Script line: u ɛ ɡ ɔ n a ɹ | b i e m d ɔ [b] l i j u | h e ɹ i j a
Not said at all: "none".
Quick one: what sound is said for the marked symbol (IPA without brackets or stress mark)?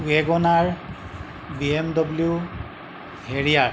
b